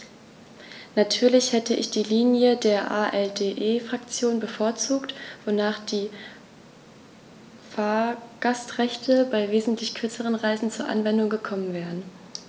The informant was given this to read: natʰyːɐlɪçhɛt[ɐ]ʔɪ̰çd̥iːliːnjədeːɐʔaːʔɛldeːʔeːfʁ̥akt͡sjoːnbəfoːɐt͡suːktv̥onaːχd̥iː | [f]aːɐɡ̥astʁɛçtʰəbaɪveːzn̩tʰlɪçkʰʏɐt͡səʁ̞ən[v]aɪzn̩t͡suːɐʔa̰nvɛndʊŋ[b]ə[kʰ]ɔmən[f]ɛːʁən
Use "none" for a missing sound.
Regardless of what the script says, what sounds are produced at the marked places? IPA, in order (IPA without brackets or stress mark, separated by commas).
ə, f, ʁ, ɡ, kʰ, v